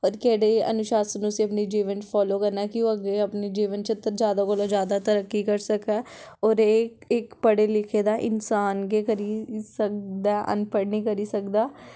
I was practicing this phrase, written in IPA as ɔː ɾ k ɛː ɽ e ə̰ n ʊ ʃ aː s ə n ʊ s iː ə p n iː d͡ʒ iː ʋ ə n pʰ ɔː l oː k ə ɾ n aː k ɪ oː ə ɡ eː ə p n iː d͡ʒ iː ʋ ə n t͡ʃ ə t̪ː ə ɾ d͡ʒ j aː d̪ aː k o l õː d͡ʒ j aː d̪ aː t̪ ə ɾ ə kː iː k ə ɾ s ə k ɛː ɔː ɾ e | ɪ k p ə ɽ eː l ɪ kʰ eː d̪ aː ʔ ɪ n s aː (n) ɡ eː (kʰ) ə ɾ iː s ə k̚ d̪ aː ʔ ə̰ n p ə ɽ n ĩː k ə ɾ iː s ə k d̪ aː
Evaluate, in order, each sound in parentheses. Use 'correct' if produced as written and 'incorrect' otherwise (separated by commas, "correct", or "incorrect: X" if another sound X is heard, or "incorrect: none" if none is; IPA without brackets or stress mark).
correct, incorrect: k